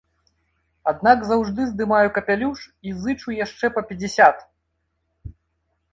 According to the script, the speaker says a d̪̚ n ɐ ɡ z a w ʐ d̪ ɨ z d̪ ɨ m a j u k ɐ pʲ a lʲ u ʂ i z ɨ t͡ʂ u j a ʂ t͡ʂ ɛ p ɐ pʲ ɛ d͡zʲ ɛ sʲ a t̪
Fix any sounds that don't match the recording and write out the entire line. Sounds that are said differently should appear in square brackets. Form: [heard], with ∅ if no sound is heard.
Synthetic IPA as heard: a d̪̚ n [a] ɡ z a w ʐ d̪ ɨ z d̪ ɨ m a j u k ɐ pʲ a lʲ u ʂ i z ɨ t͡ʂ u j a ʂ t͡ʂ ɛ p ɐ pʲ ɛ d͡zʲ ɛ sʲ a t̪